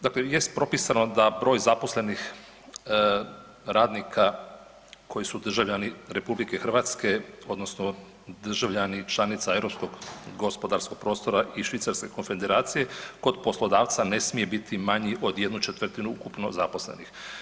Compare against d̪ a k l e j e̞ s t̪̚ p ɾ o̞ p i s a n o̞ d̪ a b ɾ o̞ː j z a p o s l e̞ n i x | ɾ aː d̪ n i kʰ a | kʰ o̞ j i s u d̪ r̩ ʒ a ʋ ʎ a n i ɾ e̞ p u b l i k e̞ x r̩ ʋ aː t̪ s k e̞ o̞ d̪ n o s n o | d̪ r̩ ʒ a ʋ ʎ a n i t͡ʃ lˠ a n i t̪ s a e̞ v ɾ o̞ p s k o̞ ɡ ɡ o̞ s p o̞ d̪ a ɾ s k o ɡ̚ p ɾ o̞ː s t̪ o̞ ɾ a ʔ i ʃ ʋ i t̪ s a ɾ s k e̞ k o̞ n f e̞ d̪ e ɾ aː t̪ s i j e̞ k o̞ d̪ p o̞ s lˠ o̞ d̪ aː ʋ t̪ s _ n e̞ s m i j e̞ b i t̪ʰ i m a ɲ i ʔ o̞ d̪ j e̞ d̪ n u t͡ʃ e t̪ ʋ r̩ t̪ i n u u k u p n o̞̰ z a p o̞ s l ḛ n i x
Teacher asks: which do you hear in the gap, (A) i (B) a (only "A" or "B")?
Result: B